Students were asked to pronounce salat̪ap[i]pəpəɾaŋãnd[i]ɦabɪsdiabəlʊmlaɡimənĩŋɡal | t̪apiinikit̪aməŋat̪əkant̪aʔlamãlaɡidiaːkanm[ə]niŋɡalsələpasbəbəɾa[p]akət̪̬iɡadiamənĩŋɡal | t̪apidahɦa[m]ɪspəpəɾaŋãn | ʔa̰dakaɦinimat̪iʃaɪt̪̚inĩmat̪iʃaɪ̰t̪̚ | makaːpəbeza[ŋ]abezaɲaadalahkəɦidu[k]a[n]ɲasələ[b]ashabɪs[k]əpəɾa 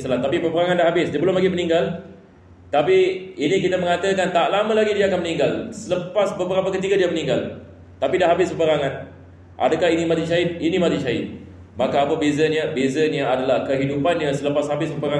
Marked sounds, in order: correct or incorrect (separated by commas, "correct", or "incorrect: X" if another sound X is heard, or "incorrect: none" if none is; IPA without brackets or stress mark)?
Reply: correct, incorrect: a, correct, correct, incorrect: b, incorrect: ɲ, incorrect: p, correct, incorrect: p, incorrect: p